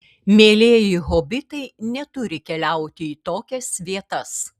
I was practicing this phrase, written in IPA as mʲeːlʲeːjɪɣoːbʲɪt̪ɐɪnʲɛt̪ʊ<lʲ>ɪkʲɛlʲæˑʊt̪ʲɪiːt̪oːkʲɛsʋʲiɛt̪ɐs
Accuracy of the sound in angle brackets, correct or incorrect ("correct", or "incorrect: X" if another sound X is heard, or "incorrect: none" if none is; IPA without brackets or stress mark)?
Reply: incorrect: ɾʲ